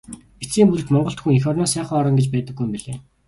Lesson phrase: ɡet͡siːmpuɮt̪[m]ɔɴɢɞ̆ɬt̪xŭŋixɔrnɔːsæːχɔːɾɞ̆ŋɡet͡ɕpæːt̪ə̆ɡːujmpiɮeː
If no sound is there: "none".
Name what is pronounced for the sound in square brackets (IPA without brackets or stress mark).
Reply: m